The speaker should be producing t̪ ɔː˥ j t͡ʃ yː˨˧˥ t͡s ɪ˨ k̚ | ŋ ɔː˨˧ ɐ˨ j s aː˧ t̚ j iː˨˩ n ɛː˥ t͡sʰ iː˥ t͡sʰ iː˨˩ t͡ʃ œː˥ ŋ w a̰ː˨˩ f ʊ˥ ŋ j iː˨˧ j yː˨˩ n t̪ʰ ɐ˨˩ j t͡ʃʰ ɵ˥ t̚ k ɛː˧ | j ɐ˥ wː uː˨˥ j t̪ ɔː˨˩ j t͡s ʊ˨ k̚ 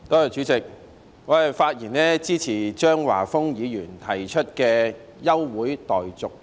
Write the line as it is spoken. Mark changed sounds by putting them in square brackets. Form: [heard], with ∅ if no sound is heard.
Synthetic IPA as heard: t̪ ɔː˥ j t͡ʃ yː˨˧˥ t͡s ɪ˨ k̚ | ŋ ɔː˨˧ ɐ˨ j [f] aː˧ t̚ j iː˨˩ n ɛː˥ [t͡s] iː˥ t͡sʰ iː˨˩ t͡ʃ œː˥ ŋ w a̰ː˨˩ f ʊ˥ ŋ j iː˨˧ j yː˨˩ n t̪ʰ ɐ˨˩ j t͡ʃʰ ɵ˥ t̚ k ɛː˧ | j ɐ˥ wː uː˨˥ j t̪ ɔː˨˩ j t͡s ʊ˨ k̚